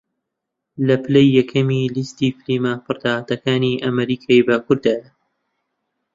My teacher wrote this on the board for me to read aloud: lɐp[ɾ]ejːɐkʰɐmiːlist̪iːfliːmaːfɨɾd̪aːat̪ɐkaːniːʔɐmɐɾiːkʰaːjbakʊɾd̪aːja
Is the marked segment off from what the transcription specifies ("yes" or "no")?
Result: yes